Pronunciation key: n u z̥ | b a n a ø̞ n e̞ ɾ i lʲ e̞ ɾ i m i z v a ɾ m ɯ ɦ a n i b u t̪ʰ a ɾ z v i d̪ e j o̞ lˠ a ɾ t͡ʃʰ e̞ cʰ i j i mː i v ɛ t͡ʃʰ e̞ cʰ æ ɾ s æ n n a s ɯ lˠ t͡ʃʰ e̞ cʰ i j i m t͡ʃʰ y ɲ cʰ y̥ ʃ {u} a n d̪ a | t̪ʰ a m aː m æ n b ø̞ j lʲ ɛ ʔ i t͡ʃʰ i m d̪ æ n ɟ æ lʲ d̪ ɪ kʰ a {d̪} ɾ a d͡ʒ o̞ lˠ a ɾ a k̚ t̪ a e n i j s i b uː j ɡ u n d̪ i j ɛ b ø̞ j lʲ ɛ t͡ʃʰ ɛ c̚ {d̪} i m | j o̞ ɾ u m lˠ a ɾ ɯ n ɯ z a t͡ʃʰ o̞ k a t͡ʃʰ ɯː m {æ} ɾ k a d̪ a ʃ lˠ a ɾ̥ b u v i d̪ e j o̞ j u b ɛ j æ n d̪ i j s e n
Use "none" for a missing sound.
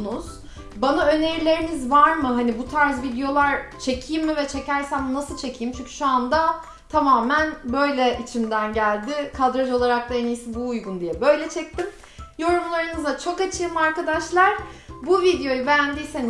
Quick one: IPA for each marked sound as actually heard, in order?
u, d̪, t̪, a

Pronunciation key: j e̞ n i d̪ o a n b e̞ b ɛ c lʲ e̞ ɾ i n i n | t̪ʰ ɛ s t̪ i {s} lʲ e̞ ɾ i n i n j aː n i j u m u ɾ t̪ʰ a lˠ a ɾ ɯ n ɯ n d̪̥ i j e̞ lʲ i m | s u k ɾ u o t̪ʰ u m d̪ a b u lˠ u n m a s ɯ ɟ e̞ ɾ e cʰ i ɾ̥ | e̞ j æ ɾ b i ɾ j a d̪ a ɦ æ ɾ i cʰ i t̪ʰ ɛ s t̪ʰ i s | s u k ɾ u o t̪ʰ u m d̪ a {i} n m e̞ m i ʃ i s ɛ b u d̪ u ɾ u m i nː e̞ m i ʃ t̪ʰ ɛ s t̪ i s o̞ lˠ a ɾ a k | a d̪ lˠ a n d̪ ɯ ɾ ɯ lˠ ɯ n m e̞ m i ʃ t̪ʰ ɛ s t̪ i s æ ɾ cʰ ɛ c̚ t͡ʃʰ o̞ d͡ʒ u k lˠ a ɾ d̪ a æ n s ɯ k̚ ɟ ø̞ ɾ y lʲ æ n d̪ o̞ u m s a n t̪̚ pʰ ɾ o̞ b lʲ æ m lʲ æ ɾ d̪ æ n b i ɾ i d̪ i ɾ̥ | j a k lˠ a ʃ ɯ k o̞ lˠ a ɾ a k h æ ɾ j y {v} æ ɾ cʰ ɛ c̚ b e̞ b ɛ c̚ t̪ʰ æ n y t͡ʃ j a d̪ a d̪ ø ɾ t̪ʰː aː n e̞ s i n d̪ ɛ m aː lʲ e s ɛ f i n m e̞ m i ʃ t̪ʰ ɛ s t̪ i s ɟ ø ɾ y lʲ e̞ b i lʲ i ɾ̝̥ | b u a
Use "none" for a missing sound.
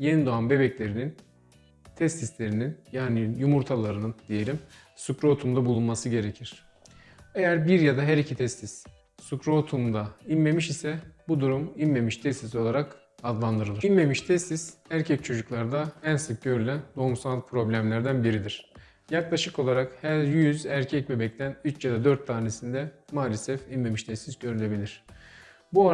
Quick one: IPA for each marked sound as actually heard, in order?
s, i, z

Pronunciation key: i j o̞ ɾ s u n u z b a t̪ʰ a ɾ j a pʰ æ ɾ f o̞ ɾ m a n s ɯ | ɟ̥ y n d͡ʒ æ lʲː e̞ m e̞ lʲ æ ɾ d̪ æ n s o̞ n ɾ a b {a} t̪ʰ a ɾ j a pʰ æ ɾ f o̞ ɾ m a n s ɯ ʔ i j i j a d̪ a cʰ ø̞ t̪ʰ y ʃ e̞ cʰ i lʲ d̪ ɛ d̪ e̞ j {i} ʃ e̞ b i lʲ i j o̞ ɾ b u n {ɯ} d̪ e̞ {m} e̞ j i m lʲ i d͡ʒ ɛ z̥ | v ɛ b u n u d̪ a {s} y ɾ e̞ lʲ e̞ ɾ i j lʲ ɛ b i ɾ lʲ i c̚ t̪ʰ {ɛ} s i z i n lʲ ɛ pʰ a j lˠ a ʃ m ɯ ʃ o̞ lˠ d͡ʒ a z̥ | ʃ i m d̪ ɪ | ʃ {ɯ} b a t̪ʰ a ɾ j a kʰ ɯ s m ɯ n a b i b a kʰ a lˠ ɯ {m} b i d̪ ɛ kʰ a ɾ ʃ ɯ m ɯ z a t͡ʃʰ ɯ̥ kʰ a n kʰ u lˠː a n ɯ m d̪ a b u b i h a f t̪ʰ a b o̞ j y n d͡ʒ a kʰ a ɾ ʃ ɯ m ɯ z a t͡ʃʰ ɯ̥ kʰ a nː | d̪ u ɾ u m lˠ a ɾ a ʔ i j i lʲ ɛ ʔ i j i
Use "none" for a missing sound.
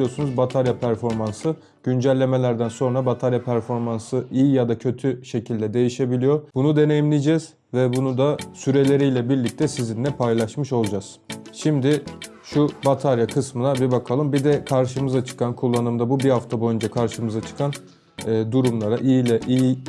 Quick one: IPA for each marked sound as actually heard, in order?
a, i, u, n, s, ɛ, u, m

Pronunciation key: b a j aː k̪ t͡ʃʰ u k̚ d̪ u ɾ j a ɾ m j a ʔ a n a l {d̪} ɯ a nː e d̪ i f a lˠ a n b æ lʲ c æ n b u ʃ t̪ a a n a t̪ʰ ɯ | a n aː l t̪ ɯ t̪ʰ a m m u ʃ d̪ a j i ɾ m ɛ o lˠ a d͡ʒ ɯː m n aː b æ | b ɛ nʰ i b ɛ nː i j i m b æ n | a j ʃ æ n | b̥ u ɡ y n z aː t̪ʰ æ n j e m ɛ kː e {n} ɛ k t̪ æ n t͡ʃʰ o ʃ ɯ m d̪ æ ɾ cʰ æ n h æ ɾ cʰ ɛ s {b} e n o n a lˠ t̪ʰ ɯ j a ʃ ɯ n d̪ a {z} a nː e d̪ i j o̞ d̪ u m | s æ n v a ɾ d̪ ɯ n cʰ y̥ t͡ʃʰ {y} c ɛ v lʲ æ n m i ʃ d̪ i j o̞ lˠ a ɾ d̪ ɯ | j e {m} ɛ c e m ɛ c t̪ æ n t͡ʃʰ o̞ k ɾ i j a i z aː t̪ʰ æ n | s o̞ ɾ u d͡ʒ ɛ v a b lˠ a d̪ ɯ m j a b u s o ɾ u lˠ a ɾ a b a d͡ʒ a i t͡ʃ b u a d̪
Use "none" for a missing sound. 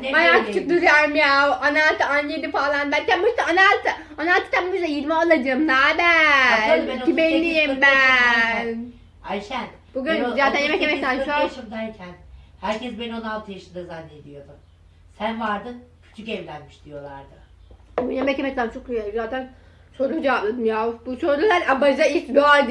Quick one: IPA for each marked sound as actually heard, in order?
t̪, m, b, z, y, m

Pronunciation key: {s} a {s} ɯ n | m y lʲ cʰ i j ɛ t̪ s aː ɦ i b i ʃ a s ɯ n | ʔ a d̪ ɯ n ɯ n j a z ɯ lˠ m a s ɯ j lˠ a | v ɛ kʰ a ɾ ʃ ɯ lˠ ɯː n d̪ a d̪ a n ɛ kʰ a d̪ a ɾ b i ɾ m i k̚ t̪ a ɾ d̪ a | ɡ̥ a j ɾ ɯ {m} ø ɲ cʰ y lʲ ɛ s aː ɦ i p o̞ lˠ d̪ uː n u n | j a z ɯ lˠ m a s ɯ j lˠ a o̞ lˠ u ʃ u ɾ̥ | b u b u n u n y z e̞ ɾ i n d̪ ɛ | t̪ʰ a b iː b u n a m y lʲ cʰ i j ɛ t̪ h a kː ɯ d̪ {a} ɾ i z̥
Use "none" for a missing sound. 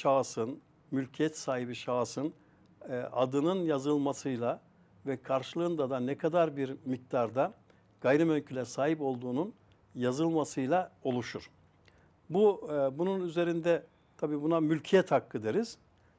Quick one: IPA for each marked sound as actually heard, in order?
ʃ, s, m, e

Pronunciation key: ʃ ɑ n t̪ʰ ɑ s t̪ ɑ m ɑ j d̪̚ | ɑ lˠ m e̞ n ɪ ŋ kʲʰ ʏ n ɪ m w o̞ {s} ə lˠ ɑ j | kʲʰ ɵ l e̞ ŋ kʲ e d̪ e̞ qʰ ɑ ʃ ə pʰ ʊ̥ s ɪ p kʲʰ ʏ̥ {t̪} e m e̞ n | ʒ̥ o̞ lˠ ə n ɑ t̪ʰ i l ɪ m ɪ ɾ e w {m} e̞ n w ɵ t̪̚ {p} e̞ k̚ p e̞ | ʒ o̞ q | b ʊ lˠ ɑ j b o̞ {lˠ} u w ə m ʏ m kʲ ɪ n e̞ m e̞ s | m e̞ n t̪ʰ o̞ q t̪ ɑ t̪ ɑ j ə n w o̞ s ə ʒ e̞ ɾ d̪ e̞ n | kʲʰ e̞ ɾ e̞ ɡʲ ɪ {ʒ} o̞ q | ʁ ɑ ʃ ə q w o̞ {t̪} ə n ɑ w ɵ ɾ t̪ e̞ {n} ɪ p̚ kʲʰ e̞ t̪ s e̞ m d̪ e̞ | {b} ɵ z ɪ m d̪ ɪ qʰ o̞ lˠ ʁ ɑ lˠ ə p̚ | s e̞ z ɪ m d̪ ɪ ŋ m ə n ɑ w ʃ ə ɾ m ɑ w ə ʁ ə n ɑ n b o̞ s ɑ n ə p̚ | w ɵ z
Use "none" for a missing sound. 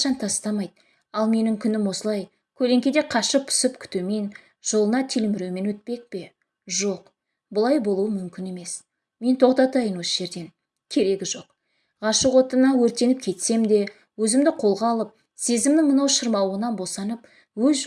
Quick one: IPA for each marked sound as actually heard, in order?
s, t̪, m, p, lˠ, ʒ, t̪, n, w

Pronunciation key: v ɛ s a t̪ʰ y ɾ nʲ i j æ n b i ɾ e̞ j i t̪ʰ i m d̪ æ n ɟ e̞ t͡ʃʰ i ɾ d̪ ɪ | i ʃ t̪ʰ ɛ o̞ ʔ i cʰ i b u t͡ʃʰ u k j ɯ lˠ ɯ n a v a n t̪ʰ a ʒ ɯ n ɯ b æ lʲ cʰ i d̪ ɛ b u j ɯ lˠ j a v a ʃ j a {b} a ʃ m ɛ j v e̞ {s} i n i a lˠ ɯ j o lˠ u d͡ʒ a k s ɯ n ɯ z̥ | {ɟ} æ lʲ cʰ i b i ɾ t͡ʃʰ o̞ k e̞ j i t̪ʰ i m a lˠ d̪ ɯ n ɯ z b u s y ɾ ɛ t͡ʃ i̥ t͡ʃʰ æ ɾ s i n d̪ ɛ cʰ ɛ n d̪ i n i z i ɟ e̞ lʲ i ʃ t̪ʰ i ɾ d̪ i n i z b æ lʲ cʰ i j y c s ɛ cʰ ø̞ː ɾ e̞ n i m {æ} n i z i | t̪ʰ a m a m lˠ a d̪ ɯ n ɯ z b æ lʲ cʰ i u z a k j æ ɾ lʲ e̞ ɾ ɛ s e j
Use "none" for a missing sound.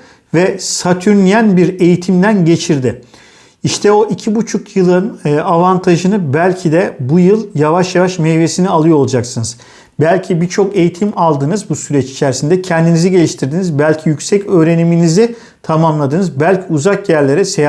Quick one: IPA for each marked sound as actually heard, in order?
v, s, b, i

